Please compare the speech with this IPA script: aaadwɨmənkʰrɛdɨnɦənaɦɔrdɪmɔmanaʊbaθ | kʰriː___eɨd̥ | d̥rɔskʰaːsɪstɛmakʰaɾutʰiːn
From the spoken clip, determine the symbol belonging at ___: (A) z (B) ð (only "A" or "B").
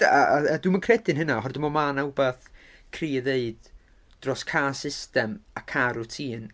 B